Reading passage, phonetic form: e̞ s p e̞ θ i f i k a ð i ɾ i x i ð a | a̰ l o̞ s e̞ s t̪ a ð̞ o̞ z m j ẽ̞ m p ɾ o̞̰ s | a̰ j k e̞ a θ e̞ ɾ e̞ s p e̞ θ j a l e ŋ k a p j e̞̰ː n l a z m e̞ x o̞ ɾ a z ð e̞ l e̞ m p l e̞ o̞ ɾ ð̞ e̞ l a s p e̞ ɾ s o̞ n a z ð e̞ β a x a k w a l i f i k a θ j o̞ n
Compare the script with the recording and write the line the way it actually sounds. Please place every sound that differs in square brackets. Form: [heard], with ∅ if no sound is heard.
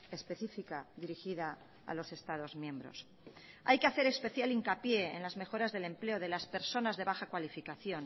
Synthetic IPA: e̞ s p e̞ θ i f i k a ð i ɾ i x i ð a | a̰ l o̞ s e̞ s t̪ a ð̞ o̞ z m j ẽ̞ m [b] ɾ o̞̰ s | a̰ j k e̞ a θ e̞ ɾ e̞ s p e̞ θ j a l [i] ŋ k a p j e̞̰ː n l a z m e̞ x o̞ ɾ a z ð e̞ l e̞ m p l e̞ o̞ [∅] ð̞ e̞ l a s p e̞ ɾ s o̞ n a z ð e̞ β a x a k w a l i f i k a θ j o̞ n